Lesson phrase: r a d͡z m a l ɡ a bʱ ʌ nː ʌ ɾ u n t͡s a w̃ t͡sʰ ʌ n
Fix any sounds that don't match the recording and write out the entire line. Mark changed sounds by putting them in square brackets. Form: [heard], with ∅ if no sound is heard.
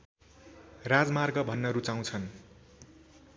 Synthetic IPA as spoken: r a d͡z m a [r] ɡ [ʌ] bʱ ʌ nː ʌ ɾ u [∅] t͡s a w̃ t͡sʰ ʌ n